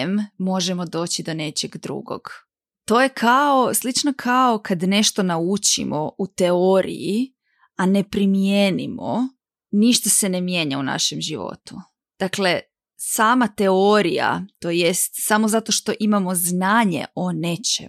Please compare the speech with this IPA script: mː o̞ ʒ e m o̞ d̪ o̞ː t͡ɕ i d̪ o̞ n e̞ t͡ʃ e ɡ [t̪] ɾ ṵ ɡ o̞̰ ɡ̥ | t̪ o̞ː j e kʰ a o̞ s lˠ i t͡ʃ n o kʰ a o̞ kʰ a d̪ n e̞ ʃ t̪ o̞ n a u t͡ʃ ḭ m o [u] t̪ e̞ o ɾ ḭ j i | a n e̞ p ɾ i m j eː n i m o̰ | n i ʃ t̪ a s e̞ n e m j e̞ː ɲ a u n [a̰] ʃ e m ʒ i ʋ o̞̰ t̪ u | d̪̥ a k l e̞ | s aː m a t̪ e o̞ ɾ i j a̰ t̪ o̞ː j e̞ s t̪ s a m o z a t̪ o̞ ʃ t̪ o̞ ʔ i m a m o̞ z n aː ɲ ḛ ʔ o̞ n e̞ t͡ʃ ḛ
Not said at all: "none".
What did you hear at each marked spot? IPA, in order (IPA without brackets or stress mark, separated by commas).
d̪, u, a̰